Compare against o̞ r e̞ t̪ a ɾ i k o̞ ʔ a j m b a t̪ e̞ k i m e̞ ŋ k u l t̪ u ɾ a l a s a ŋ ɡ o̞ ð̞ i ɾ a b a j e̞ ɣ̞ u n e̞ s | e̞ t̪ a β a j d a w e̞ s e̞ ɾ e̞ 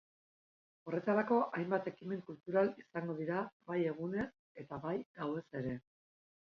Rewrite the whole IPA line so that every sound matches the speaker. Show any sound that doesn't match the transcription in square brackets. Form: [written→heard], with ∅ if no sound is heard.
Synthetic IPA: o̞ r e̞ t̪ a ɾ [i→a] k o̞ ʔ a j m b a t̪ e̞ k i m e̞ ŋ k u l t̪ u ɾ a l [a→i] s a ŋ ɡ o̞ ð̞ i ɾ a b a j e̞ ɣ̞ u n e̞ s | e̞ t̪ a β a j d a w e̞ s e̞ ɾ e̞

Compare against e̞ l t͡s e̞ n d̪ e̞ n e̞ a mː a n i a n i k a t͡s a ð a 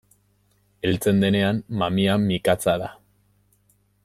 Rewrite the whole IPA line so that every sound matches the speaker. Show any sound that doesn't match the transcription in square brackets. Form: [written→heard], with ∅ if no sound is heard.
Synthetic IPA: e̞ l t͡s e̞ n d̪ e̞ n e̞ a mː a [n→m] i a [n→m] i k a t͡s a ð a

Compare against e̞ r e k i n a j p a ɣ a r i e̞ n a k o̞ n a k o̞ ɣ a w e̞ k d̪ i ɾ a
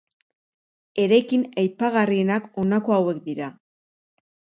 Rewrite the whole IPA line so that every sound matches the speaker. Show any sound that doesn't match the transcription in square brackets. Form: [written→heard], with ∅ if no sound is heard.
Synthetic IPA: e̞ [r→ɾ] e k i n a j p a ɣ a r i e̞ n a k o̞ n a k o̞ [ɣ→∅] a w e̞ k d̪ i ɾ a

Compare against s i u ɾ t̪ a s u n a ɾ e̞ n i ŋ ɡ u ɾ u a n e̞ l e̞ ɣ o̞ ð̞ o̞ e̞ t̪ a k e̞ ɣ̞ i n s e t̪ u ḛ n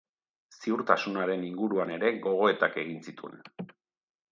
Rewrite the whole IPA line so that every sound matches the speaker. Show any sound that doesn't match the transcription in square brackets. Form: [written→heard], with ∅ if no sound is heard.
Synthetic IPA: s i u ɾ t̪ a s u n a ɾ e̞ n i ŋ ɡ u ɾ u a n e̞ [l→ɾ] e̞ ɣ o̞ [ð̞→ɣ̞] o̞ e̞ t̪ a k e̞ ɣ̞ i n s [e→i] t̪ u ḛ n

